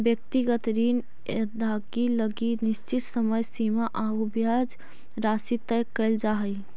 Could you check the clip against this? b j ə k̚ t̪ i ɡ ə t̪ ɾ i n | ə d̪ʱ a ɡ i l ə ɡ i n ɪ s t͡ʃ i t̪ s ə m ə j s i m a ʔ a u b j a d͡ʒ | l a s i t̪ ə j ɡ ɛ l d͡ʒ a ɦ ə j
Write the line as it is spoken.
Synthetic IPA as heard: b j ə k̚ t̪ i ɡ ə t̪ ɾ i n | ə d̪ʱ a ɡ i l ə ɡ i n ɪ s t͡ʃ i t̪ s ə m ə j s i m a ʔ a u b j a d͡ʒ | ɾ a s i t̪ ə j k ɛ l d͡ʒ a ɦ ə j